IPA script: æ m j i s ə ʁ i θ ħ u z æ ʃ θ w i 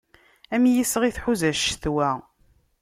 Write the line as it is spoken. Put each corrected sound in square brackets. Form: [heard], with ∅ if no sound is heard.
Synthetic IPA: æ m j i s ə ʁ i θ ħ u z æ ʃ θ w [æ]